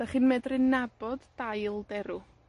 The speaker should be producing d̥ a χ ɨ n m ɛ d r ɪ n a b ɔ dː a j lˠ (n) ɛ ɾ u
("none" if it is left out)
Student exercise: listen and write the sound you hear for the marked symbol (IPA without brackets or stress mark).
d